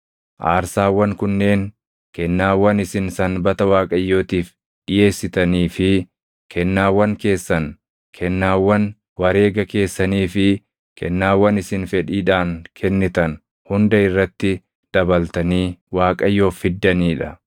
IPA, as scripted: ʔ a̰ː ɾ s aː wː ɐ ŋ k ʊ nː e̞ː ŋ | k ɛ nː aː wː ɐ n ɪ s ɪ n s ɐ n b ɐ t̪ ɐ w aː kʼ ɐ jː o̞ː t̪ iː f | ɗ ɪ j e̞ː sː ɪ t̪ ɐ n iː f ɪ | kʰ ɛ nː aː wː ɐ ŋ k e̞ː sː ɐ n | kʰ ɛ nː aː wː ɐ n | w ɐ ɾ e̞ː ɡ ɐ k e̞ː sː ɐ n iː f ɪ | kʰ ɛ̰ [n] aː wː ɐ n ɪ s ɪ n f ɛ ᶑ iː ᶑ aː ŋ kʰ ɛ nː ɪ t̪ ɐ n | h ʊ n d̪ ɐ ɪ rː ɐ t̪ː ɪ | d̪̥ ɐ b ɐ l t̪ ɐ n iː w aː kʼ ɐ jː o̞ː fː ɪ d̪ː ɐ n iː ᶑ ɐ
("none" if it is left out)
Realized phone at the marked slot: nː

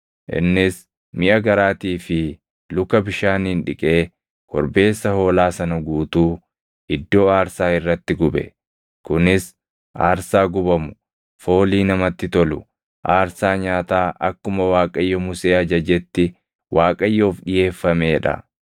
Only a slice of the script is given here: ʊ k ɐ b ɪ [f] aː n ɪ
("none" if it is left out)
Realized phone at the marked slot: ʃ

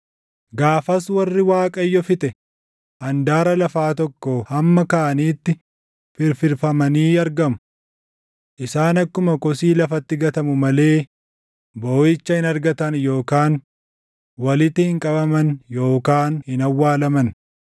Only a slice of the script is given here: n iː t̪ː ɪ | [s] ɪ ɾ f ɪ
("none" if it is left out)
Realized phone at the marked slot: f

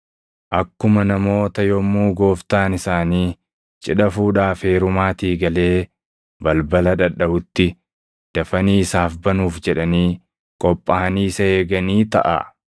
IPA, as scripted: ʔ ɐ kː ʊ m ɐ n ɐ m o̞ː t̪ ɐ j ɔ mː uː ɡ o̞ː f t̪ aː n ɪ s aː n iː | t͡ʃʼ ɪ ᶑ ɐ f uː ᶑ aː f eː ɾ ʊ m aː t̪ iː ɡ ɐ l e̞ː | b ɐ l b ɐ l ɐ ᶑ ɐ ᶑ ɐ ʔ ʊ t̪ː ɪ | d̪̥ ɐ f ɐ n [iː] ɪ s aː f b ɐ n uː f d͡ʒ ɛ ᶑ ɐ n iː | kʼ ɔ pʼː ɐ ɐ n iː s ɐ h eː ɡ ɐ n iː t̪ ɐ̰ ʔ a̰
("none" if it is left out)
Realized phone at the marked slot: iː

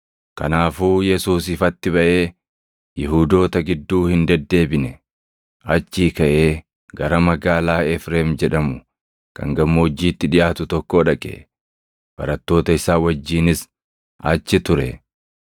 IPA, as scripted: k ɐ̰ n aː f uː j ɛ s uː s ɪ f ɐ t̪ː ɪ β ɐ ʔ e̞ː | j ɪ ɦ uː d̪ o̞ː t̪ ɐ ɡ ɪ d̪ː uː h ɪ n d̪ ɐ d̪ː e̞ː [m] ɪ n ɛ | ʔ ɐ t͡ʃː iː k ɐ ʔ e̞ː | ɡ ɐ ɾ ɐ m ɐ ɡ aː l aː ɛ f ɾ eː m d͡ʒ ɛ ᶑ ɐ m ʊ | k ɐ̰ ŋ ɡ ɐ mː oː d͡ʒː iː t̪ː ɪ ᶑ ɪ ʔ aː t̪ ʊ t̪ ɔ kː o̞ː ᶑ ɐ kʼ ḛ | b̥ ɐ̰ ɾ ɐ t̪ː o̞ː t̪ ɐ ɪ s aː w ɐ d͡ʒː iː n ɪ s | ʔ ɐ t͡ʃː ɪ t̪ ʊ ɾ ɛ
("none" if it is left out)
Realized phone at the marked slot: b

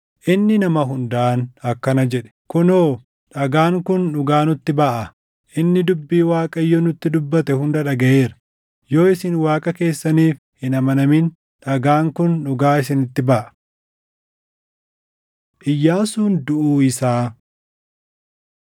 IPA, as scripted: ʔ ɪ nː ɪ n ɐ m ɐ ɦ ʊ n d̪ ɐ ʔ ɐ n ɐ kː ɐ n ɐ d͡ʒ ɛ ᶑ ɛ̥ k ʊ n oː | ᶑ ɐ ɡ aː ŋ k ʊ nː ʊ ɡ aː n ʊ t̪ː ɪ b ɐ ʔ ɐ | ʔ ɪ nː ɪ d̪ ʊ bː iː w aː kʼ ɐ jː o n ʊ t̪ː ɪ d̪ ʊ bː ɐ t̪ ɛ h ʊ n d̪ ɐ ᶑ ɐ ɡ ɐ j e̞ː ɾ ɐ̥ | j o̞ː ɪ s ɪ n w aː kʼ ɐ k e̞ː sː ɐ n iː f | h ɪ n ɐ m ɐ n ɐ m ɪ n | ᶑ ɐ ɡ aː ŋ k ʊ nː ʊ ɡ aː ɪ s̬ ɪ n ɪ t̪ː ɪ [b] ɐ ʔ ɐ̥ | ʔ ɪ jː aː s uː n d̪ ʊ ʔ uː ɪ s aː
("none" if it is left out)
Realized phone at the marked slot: b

